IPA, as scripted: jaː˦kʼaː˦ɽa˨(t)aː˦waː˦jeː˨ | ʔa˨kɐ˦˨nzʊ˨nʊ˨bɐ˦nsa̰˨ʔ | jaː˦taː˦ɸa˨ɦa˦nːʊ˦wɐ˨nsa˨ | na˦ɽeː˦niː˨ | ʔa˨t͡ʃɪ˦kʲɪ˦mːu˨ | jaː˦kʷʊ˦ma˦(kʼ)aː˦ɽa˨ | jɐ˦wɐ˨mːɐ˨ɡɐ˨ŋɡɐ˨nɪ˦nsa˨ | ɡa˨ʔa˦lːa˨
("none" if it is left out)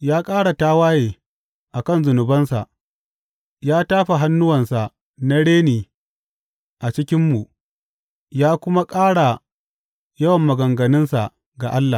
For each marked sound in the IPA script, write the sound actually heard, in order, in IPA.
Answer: t, kʼ

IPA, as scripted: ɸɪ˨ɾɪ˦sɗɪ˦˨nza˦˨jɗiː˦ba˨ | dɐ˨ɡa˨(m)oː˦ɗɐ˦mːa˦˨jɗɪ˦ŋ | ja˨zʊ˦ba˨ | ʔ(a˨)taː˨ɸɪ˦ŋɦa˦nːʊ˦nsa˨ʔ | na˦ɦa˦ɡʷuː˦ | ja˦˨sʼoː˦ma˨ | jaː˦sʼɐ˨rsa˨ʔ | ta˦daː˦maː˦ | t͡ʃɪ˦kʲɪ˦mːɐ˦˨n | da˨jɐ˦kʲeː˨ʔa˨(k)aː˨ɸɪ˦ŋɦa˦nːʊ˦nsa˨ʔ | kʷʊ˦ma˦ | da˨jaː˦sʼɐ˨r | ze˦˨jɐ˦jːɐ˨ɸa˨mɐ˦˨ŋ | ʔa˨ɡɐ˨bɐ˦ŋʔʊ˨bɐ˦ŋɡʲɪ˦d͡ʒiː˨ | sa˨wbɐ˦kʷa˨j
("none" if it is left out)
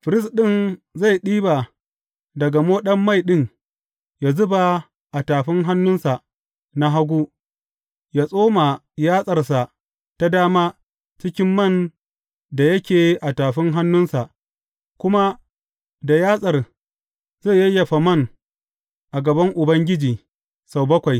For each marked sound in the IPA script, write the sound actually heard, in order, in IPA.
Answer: m, a˨, t

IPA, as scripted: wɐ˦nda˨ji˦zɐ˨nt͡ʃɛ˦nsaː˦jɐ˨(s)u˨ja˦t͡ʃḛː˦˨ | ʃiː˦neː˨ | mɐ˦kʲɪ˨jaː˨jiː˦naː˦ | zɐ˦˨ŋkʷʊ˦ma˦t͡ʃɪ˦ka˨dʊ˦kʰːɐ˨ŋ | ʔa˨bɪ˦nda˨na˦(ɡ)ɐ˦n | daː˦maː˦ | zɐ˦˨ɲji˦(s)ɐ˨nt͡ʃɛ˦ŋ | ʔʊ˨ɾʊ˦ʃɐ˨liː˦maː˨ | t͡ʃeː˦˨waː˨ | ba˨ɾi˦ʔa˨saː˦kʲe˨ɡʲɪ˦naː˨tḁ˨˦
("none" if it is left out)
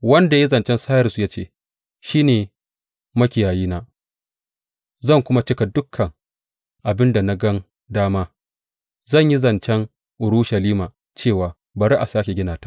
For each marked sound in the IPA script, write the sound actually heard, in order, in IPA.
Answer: s, ɡ, z

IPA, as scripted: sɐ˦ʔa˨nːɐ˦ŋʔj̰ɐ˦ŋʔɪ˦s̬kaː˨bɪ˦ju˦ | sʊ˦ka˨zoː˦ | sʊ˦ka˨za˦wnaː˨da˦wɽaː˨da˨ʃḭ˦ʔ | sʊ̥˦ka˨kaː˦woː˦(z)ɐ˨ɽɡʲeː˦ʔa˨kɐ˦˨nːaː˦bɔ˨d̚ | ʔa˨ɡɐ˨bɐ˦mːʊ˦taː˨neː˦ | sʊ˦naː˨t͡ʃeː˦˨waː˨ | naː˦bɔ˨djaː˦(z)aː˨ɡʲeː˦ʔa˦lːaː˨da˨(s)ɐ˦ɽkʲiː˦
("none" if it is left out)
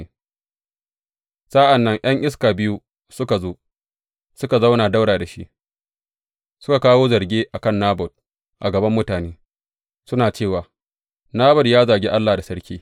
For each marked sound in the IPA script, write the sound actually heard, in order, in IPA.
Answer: z, z, s

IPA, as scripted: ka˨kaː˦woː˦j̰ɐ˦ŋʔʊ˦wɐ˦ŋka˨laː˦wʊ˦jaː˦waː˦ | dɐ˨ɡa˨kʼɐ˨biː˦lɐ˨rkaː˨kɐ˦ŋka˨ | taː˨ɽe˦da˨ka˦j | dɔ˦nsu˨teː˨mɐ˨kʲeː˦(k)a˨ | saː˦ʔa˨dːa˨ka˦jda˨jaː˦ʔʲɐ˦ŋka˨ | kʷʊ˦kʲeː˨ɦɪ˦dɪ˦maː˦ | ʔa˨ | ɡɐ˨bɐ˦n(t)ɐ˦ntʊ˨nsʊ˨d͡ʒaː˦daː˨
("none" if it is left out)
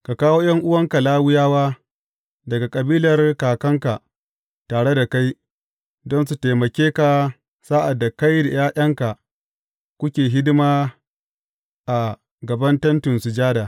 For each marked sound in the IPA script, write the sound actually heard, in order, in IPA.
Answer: k, t

